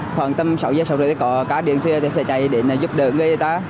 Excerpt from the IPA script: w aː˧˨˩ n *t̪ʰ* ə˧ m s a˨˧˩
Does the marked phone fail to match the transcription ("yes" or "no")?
yes